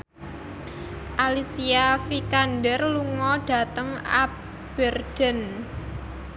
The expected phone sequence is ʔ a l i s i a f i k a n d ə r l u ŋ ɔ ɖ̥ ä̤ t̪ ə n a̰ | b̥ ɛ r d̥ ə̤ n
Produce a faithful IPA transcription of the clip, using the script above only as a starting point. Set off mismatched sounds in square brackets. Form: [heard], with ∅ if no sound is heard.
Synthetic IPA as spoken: ʔ a l i s i a f i k a n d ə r l u ŋ ɔ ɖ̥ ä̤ t̪ ə [ŋ] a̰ | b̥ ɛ r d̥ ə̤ n